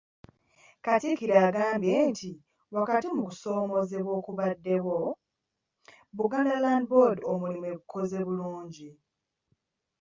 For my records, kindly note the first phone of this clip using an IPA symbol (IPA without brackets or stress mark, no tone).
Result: k